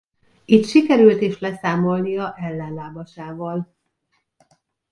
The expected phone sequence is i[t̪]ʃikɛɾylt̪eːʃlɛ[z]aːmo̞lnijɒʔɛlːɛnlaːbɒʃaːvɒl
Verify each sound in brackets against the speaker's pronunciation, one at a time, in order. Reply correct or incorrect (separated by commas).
correct, incorrect